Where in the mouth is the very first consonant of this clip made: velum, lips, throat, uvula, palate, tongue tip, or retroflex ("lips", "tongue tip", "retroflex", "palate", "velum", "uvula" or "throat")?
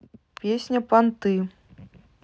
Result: lips